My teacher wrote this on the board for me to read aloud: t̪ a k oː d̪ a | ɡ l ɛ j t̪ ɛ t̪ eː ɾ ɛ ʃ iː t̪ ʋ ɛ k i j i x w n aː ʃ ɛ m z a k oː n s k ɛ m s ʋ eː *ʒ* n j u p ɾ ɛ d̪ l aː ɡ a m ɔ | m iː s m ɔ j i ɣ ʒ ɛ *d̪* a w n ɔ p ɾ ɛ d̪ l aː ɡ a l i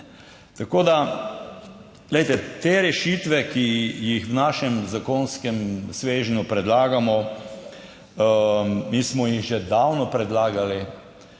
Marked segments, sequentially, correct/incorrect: correct, correct

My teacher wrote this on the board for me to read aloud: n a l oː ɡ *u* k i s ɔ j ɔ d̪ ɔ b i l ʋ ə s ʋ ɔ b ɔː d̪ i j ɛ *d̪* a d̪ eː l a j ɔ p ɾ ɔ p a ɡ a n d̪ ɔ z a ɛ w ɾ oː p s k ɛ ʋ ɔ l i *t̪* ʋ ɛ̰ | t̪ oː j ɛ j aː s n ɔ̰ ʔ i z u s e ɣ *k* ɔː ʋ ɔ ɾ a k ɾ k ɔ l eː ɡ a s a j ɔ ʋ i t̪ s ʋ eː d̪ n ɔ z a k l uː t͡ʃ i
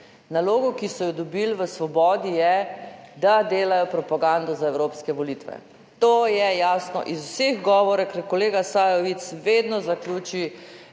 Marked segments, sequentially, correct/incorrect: incorrect, correct, correct, incorrect

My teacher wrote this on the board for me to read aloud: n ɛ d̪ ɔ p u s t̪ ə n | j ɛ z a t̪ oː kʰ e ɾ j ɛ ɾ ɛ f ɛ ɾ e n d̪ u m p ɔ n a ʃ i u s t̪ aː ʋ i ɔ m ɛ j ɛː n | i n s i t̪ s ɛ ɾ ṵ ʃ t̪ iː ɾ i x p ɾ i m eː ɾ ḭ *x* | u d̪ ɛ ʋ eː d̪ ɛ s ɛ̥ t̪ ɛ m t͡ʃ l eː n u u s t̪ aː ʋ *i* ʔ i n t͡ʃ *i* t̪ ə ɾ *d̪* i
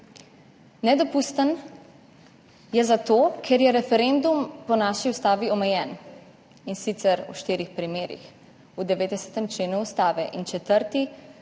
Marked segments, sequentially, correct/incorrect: correct, incorrect, incorrect, incorrect

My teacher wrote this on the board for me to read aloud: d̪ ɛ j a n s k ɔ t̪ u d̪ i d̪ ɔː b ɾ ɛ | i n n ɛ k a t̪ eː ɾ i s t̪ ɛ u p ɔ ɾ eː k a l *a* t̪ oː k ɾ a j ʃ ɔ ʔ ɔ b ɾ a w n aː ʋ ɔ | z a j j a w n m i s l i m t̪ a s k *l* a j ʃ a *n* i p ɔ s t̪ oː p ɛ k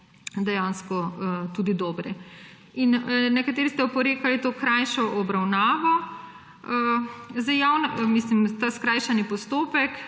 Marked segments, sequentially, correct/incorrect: incorrect, incorrect, correct

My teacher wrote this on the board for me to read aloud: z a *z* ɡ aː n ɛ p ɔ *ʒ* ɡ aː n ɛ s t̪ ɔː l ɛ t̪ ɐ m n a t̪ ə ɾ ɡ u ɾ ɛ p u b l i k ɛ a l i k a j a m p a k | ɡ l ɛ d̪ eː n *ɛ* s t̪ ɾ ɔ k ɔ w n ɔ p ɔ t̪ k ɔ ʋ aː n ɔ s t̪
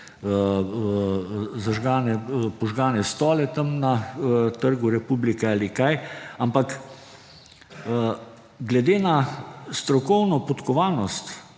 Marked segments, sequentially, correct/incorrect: incorrect, correct, incorrect

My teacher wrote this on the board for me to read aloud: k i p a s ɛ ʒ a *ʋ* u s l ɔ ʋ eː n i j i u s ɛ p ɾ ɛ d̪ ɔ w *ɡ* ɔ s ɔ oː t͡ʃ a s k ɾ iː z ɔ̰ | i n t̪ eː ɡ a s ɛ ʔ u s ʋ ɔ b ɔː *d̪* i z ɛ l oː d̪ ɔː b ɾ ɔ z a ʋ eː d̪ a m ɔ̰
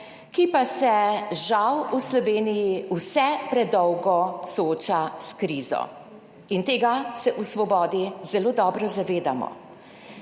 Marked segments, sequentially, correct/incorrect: incorrect, correct, correct

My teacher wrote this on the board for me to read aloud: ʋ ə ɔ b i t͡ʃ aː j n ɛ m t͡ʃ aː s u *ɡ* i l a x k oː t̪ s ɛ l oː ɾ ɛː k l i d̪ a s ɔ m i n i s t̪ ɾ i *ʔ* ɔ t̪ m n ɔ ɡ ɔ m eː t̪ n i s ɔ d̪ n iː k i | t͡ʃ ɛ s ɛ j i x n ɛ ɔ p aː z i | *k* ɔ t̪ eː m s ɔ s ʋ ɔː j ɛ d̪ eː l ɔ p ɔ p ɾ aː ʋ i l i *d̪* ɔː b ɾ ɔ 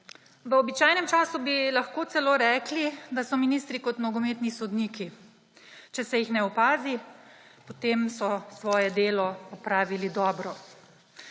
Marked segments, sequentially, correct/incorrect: incorrect, incorrect, incorrect, correct

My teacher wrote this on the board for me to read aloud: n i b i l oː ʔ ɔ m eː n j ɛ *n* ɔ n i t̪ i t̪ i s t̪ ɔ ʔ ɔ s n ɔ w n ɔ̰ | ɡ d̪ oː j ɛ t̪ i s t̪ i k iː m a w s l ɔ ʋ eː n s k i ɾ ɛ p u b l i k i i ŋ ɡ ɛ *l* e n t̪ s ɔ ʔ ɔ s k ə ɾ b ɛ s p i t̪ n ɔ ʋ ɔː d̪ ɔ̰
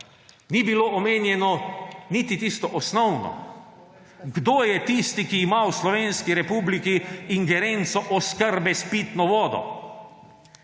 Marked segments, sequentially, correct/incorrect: correct, incorrect

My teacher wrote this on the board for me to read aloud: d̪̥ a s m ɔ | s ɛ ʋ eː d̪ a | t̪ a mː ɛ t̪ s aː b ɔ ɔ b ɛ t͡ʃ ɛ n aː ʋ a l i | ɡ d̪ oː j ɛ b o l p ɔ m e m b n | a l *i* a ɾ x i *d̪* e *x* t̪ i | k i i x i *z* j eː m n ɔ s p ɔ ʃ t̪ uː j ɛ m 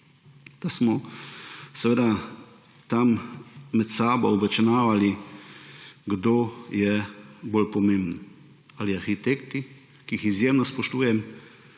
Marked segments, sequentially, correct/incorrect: correct, incorrect, incorrect, correct

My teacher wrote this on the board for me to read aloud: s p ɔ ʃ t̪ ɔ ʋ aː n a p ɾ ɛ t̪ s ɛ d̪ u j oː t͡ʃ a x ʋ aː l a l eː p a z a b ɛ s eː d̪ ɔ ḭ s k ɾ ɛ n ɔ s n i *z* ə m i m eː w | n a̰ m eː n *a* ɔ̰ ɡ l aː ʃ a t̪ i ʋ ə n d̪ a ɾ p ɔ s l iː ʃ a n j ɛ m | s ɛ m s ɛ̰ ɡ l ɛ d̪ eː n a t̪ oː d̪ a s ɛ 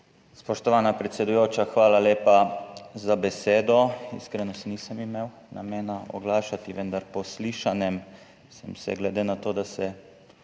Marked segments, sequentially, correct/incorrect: incorrect, correct

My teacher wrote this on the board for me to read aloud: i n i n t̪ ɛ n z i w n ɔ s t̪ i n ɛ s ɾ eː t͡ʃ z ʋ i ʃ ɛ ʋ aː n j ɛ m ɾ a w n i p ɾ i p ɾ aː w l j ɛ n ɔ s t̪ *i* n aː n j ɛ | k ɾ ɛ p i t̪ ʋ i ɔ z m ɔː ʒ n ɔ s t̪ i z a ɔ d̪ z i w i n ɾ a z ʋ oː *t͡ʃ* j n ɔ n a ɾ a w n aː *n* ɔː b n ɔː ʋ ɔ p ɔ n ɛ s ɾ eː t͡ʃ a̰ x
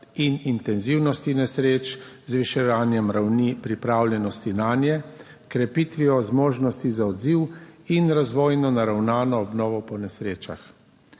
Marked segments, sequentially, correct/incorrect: correct, incorrect, correct

